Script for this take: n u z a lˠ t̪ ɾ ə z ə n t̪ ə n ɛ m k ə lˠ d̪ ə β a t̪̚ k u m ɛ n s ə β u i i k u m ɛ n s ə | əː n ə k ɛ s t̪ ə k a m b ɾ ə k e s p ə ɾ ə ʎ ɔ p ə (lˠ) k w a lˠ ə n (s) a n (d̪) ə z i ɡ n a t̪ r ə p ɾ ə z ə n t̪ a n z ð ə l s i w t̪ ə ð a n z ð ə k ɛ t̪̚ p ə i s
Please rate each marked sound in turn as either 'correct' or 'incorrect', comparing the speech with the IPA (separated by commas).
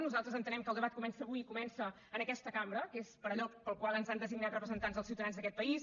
correct, incorrect, correct